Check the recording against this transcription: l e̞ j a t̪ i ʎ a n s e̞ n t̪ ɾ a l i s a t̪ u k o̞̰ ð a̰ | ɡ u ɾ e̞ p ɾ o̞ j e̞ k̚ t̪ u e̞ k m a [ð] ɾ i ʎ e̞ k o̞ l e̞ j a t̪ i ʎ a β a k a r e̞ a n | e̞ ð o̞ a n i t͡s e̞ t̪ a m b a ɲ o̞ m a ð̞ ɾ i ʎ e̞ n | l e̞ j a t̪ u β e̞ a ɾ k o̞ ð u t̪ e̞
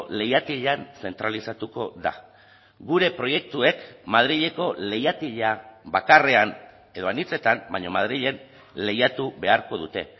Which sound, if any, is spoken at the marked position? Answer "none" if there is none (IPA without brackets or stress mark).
ð